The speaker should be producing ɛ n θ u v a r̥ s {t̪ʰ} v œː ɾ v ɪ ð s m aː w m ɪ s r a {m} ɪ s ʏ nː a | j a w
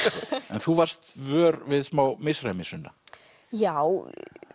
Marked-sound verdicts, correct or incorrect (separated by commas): incorrect, correct